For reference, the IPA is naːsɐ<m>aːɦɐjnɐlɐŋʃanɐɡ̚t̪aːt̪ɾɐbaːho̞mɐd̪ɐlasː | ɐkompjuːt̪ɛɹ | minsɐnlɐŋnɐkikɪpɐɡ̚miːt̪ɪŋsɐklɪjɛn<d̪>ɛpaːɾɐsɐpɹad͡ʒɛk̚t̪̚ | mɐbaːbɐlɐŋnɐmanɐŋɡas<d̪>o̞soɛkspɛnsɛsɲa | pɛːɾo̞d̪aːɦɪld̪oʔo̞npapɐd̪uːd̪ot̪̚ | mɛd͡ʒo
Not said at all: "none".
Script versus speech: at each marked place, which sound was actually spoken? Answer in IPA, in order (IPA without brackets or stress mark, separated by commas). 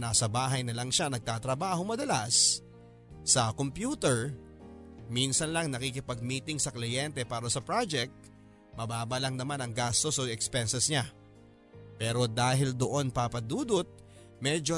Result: b, t̪, t̪